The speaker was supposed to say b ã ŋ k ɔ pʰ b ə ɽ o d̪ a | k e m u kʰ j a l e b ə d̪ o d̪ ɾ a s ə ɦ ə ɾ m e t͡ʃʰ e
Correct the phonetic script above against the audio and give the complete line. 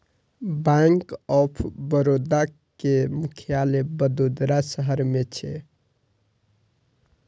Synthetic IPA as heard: b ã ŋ k ɔ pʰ b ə ɾ o d̪ a | k e m u kʰ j a l e b ə d̪ o d̪ ɾ a s ə ɦ ə ɾ m e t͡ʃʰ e